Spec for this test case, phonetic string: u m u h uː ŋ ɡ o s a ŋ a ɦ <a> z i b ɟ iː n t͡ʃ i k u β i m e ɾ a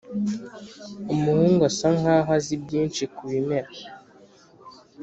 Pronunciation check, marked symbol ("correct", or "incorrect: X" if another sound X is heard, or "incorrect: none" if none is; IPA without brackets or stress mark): correct